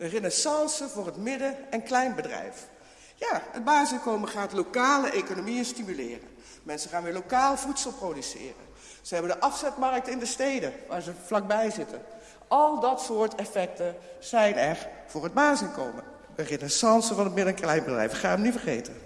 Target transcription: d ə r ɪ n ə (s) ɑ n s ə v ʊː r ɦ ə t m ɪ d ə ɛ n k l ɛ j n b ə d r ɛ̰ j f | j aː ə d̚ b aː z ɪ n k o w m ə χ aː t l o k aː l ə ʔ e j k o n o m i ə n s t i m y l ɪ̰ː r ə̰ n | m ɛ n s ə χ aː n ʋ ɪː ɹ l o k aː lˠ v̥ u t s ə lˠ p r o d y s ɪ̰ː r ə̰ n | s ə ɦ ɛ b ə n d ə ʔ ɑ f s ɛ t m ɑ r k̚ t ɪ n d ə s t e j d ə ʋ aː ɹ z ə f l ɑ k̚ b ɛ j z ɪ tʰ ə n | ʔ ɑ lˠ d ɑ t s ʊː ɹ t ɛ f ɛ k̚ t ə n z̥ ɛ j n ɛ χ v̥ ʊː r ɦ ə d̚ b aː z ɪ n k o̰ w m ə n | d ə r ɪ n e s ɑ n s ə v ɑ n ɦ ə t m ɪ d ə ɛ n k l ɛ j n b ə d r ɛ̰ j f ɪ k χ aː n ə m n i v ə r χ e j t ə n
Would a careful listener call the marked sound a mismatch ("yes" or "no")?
no